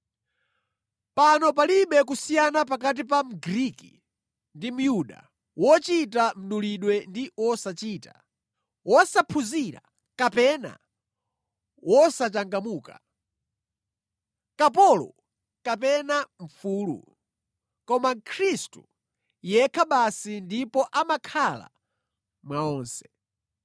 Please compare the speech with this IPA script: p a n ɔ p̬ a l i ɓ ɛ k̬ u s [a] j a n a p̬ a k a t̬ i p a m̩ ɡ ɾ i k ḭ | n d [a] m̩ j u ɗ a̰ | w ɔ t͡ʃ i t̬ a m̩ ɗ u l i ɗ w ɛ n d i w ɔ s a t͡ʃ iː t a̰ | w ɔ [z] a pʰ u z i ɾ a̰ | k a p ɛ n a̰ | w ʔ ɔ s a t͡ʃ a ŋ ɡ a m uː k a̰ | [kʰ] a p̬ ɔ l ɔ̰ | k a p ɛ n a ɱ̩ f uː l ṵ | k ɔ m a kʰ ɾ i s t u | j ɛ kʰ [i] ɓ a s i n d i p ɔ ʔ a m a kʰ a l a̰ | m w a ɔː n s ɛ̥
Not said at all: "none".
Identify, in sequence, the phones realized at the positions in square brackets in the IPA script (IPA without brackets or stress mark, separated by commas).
i, i, s, k, a